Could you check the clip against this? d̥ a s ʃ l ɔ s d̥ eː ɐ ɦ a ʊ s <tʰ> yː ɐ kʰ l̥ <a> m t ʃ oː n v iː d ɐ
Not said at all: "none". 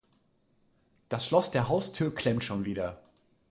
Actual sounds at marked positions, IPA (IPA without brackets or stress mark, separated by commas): tʰ, ɛ